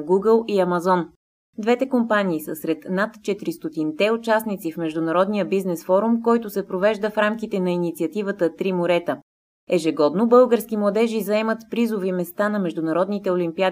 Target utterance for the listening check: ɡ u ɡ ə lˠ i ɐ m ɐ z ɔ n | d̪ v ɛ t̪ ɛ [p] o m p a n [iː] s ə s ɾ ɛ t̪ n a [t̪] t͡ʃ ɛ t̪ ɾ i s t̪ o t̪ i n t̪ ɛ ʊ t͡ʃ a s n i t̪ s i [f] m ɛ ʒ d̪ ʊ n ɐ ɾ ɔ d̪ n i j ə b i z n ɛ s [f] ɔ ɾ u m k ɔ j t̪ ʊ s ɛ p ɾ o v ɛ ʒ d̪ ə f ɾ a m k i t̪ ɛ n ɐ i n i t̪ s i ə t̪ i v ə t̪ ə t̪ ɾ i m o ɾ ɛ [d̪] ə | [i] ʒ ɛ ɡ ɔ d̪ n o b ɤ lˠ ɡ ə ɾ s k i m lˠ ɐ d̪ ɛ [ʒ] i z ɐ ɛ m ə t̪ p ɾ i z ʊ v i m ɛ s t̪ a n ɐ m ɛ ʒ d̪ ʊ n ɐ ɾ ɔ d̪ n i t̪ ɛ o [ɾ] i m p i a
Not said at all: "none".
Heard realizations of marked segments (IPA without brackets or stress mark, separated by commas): k, iː, t̪, f, f, t̪, ɛ, ʒ, l